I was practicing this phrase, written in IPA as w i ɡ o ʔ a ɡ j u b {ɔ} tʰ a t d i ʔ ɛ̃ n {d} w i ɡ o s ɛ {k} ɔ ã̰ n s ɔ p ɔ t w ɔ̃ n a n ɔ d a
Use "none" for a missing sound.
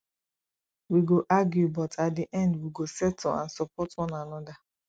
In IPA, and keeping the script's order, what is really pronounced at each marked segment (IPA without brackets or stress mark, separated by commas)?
ɔ, d, t